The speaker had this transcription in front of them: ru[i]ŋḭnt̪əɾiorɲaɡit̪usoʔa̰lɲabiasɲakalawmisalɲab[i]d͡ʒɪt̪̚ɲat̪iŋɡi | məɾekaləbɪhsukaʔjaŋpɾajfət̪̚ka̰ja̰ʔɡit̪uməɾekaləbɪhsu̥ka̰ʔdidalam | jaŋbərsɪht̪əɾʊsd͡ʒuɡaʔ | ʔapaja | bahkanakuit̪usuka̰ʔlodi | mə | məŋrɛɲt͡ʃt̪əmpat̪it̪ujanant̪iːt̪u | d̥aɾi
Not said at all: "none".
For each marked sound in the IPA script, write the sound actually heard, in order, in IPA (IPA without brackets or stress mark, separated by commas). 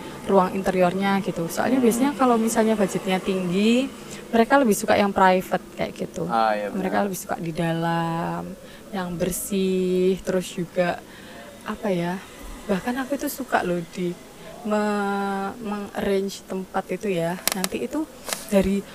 a, a